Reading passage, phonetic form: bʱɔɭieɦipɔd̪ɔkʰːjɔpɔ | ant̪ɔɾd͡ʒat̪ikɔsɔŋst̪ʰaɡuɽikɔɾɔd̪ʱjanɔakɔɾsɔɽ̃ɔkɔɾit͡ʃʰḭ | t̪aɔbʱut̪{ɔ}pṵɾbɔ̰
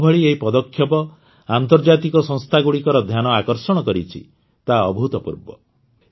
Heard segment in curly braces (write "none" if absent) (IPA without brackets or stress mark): ɔ